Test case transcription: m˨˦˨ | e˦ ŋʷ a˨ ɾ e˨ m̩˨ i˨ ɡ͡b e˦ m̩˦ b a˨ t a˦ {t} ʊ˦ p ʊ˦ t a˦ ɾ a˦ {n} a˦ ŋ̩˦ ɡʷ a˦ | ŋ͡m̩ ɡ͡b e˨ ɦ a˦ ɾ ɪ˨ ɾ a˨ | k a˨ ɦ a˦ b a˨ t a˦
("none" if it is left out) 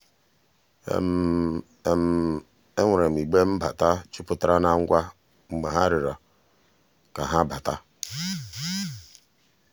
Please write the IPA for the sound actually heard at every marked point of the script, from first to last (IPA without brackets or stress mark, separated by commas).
t͡ʃ, n